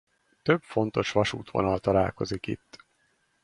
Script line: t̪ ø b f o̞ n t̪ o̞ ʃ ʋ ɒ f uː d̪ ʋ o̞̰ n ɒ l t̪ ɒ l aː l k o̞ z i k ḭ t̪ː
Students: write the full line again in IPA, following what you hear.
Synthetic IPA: t̪ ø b f o̞ n t̪ o̞ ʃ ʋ ɒ ʃ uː t̪ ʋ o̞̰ n ɒ l t̪ ɒ l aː l k o̞ z i k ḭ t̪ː